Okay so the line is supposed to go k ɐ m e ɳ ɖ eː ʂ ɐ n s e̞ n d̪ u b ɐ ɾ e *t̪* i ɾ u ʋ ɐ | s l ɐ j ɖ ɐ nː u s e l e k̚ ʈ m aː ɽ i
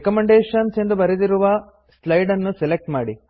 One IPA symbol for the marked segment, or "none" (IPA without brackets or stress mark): d̪